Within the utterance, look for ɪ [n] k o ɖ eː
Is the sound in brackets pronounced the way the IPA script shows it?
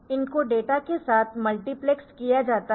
yes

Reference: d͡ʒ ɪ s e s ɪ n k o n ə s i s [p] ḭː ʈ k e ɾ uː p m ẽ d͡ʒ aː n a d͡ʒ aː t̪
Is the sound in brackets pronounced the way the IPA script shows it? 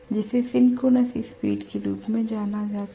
yes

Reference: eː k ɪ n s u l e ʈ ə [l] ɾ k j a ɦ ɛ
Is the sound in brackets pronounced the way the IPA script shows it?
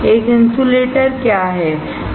no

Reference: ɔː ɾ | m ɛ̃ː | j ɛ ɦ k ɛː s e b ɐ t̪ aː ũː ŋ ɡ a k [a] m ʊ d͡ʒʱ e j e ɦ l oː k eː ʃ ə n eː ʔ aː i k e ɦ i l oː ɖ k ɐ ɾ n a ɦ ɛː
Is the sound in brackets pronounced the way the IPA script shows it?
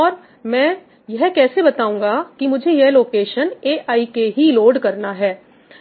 no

